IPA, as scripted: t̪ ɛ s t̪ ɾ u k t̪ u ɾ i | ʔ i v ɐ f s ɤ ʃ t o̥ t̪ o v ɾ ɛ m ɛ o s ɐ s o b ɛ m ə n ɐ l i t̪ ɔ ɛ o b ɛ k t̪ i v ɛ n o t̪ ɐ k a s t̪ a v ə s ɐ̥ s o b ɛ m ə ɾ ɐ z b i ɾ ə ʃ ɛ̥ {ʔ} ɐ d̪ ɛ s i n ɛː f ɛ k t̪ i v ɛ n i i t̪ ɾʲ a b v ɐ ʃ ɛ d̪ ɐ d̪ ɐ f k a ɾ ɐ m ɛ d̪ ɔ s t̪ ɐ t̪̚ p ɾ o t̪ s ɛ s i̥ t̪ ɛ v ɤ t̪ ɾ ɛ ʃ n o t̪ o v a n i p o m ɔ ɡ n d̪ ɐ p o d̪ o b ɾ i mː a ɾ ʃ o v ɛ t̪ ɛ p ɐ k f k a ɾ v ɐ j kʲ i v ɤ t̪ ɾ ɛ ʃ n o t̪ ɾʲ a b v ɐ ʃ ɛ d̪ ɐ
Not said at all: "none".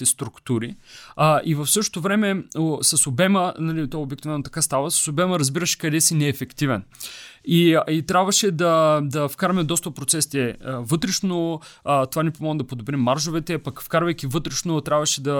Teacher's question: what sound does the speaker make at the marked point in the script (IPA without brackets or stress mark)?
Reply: k